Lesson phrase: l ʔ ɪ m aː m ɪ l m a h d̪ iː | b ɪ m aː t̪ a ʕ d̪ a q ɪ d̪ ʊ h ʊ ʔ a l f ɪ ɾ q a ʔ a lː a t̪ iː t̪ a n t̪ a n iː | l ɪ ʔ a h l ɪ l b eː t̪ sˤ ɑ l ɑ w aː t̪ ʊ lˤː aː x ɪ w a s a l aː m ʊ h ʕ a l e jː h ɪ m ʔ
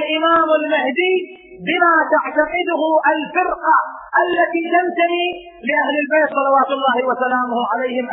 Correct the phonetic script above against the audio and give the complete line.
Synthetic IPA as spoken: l ʔ ɪ m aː m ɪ l m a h d̪ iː | b ɪ m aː t̪ a ʕ t̪ a q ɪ d̪ ʊ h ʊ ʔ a l f ɪ ɾ q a ʔ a lː a t̪ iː t̪ a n t̪ a n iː | l ɪ ʔ a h l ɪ l b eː t̪ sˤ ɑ l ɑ w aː t̪ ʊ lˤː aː h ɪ w a s a l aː m ʊ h ʕ a l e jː h ɪ m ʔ